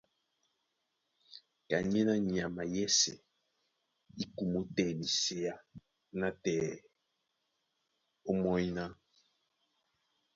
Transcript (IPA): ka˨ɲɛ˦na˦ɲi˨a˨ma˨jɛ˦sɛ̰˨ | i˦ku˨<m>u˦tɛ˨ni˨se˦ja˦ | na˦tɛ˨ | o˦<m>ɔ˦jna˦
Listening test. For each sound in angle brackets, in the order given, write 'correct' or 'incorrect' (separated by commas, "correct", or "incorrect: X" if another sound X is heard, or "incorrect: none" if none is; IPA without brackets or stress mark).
correct, correct